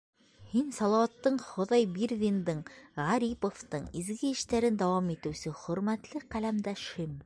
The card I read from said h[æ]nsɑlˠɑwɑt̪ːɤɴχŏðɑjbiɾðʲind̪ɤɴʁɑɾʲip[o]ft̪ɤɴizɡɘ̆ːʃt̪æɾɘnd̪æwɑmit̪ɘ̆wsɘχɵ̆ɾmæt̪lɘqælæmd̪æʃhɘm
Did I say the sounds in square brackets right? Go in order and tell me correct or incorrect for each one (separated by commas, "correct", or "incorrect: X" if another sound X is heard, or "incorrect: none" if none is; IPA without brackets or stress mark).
incorrect: i, correct